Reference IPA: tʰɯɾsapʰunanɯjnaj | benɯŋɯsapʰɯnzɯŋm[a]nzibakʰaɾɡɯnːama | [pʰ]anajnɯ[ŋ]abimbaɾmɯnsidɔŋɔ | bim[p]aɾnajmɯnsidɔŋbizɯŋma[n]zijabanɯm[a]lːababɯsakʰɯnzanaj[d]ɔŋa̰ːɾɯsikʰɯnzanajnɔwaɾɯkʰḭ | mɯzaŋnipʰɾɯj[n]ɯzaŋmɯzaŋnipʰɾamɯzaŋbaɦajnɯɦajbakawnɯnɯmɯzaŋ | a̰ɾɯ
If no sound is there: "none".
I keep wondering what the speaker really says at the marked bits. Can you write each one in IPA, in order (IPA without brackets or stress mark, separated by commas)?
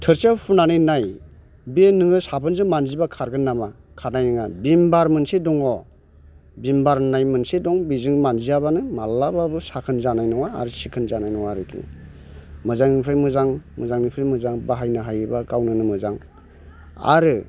a, kʰ, ŋ, b, n, a, n, m